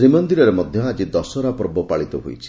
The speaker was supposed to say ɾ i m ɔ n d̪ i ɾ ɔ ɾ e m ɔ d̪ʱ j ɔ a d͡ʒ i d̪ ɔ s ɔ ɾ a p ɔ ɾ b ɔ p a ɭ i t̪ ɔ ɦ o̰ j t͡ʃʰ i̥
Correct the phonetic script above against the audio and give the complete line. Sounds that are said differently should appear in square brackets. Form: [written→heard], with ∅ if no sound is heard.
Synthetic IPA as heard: ɾ i m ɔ n d̪ i ɾ ɔ ɾ e m ɔ d̪ʱ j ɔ a d͡ʒ i d̪ ɔ s ɔ ɾ a p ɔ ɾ b ɔ p a ɭ i t̪ ɔ ɦ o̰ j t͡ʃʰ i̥